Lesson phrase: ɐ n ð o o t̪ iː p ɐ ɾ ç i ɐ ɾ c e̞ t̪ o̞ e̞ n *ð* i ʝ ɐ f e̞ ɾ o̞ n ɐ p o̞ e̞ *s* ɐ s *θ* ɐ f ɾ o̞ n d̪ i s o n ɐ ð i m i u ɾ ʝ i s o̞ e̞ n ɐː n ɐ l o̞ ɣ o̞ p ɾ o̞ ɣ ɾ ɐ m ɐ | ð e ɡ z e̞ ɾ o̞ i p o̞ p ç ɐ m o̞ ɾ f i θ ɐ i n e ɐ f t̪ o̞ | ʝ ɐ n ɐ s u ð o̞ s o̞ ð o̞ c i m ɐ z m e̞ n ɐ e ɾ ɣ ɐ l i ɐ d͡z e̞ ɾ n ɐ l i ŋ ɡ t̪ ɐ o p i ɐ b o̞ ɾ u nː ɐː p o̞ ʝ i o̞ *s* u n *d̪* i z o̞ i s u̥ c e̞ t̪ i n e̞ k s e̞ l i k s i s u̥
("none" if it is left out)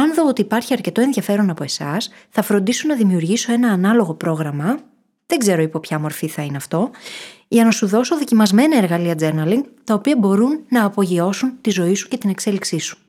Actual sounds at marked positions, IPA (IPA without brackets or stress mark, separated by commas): ð, s, θ, s, t̪